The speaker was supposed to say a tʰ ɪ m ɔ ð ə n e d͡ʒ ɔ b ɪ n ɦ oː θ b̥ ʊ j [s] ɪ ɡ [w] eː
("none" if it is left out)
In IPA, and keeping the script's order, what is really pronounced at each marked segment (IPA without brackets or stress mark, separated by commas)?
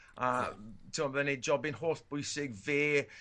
s, v